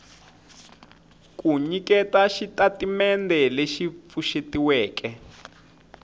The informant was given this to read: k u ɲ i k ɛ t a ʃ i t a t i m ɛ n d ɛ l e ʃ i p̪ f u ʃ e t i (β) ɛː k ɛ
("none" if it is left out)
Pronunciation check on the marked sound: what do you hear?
w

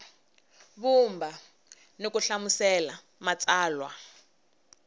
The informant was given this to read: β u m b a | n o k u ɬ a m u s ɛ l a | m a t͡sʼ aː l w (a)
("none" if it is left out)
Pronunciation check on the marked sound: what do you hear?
a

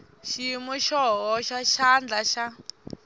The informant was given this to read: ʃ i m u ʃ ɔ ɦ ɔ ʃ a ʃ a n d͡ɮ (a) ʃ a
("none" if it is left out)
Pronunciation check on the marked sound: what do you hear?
a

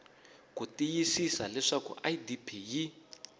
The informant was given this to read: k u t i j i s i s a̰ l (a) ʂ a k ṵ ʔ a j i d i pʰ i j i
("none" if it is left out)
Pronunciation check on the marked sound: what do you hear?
ɛ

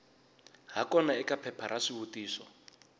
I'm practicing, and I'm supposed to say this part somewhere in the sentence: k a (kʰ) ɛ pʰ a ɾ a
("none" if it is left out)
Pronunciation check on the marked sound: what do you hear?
pʰ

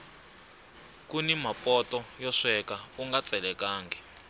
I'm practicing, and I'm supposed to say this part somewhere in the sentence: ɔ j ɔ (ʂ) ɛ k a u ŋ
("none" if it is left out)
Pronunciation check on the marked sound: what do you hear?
ʂ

